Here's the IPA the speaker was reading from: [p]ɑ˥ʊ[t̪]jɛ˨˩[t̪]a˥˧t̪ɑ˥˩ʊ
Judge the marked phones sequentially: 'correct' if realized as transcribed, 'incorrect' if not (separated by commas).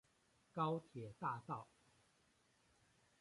incorrect, incorrect, correct